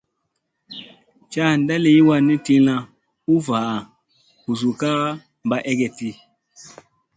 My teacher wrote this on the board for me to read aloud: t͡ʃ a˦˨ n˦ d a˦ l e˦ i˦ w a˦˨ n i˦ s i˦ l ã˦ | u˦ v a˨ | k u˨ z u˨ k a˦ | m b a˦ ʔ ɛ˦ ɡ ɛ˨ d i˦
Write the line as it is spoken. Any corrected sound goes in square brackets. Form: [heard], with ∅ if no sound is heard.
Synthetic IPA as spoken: t͡ʃ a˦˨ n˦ d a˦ l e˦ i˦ w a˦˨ n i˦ [t] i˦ l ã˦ | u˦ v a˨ | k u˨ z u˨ k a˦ | m b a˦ ʔ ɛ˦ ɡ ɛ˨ [t] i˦